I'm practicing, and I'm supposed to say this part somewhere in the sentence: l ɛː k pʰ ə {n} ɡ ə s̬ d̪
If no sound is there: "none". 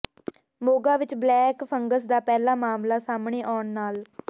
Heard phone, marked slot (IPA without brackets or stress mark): ŋ